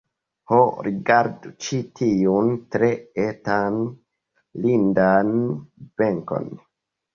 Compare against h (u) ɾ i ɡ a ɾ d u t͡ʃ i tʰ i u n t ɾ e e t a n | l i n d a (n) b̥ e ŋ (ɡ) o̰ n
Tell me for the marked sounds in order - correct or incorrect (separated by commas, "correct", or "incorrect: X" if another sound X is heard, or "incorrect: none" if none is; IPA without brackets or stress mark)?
incorrect: o, correct, incorrect: k